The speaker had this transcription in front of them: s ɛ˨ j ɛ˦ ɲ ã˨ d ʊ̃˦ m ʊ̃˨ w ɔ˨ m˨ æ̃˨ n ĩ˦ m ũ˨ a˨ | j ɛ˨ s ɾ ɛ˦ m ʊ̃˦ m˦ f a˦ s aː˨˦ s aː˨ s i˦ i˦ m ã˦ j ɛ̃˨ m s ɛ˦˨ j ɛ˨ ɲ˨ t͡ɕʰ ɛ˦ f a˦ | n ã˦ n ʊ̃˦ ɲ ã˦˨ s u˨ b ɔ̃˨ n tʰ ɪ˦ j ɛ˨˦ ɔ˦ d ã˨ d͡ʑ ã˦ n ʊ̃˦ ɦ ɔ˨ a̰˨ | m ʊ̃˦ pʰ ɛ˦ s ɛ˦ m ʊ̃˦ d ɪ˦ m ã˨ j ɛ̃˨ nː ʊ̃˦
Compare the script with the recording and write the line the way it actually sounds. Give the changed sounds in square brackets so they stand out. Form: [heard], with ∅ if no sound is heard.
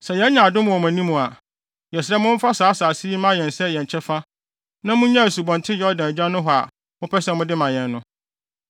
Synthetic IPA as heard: s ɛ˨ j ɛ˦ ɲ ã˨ d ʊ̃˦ m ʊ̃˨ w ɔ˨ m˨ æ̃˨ n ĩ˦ m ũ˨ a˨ | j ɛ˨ s ɾ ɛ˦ m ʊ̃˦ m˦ f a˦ s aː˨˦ s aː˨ s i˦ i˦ m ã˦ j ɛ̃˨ [n] s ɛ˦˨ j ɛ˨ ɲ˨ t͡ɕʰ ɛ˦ f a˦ | n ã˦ [m] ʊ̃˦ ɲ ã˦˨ s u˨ b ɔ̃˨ n tʰ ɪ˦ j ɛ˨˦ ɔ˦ d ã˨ d͡ʑ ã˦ n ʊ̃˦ ɦ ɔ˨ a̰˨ | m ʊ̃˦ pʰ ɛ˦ s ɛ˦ m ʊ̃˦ d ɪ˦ m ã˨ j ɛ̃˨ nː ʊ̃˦